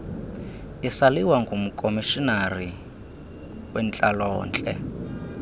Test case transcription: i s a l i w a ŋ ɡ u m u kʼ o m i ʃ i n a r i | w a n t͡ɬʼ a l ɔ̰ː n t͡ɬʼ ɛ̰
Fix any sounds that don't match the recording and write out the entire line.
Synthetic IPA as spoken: i s a l i w a ŋ ɡ u m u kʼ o m i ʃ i n a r i | w ɛ n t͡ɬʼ a l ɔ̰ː n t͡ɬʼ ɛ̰